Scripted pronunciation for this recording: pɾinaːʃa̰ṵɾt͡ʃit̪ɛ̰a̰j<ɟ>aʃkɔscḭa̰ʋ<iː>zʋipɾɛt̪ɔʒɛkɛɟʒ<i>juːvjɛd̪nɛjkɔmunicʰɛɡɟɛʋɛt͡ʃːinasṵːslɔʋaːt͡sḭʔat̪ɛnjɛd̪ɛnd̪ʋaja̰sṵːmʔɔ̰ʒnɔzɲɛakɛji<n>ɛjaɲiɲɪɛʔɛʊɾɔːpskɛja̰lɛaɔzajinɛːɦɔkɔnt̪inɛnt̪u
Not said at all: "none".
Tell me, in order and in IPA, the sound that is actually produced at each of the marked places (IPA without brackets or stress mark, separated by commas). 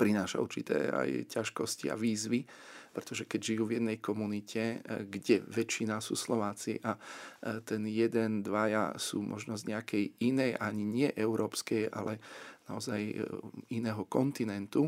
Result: c, iː, i, n